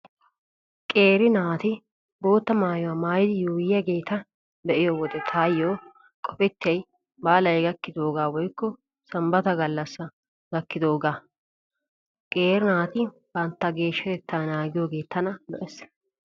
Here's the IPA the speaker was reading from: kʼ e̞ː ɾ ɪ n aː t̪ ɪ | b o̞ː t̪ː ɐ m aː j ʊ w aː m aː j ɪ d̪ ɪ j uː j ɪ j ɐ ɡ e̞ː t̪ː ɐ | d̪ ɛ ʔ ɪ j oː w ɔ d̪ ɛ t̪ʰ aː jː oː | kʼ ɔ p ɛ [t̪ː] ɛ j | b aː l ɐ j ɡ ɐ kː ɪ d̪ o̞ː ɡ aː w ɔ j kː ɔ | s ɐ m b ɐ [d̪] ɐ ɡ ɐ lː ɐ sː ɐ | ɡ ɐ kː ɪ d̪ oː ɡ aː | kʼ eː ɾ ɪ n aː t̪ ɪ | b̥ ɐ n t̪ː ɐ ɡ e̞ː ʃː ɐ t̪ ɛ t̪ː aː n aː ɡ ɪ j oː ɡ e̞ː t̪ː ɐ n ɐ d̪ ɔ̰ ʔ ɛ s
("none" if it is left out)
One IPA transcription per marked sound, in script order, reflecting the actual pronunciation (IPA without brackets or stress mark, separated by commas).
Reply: t̪ː, t̪